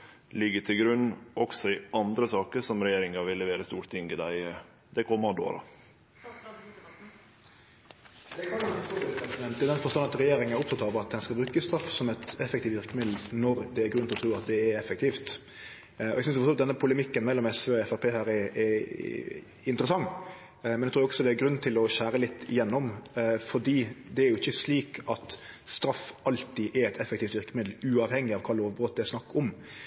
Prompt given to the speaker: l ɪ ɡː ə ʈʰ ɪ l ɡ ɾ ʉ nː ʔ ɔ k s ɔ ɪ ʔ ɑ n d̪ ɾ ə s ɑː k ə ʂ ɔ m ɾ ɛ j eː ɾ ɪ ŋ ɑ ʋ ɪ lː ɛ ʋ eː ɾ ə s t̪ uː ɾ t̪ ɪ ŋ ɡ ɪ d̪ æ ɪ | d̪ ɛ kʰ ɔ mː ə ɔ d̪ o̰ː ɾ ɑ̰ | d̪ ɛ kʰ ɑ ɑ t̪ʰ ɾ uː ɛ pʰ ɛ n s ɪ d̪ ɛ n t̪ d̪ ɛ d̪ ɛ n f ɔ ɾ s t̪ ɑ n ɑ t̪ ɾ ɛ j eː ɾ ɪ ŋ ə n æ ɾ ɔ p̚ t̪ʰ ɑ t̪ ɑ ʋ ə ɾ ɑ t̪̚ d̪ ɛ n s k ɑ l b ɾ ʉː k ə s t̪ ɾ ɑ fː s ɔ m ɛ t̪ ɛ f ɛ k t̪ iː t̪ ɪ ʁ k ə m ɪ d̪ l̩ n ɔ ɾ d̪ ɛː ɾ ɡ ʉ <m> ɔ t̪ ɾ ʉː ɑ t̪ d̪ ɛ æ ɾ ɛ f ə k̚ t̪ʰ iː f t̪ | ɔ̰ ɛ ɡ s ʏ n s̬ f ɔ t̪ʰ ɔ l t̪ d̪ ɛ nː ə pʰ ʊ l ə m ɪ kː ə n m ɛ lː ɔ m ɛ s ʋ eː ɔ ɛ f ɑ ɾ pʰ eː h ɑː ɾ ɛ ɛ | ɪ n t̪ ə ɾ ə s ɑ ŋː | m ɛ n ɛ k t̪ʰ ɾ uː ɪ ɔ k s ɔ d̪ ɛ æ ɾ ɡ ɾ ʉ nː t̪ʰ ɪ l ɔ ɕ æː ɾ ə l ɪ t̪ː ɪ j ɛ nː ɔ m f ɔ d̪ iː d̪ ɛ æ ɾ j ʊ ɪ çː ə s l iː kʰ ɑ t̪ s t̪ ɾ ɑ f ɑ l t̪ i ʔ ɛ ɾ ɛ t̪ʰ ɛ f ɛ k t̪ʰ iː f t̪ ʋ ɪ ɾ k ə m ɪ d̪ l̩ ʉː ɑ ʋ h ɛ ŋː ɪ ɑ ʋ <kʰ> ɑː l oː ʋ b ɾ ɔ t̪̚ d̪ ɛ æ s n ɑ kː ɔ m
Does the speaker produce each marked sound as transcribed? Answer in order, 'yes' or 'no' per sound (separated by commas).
no, yes